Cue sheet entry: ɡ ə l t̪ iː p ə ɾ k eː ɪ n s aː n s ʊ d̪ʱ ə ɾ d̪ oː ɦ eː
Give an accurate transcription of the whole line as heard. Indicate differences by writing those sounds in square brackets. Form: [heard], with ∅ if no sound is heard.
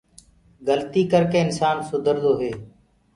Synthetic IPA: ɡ ə l t̪ iː [k] ə ɾ k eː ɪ n s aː n s ʊ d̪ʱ ə ɾ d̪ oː ɦ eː